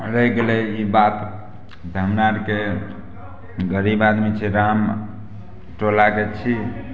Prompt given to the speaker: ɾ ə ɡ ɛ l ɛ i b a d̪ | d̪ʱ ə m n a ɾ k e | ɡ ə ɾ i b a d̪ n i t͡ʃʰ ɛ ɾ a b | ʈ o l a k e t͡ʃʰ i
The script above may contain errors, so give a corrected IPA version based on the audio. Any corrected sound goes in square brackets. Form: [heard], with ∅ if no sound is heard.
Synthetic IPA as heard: ɾ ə ɡ [e] l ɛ i b a [t̪] | d̪ʱ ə m n a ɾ k e | ɡ ə ɾ i b a d̪ [m] i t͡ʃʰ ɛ ɾ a [m] | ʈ o l a k e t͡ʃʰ i